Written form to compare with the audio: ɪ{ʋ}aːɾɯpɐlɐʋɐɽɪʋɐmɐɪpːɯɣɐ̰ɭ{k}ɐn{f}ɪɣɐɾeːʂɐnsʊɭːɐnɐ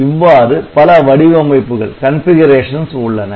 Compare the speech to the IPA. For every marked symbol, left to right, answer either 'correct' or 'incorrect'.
incorrect: ʋː, correct, correct

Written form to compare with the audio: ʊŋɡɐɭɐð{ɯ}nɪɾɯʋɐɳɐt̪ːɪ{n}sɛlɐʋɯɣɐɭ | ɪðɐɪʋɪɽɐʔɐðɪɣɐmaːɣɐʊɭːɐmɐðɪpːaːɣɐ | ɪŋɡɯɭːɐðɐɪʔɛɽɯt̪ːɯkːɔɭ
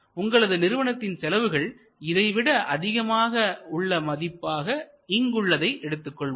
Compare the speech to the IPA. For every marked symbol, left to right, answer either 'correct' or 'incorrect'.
correct, correct

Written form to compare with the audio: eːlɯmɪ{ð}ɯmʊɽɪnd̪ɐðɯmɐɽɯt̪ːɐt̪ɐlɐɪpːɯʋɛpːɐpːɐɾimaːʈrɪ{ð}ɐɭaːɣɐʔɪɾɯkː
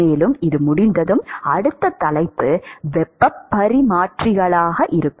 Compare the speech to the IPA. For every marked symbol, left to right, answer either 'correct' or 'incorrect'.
correct, incorrect: ɣ

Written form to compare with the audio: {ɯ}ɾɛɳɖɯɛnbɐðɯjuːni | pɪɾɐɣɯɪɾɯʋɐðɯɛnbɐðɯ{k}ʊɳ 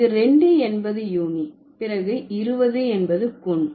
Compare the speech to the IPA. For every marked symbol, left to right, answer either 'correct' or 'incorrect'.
correct, correct

